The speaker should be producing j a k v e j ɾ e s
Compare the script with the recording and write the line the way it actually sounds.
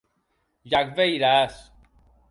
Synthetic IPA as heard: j a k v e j ɾ a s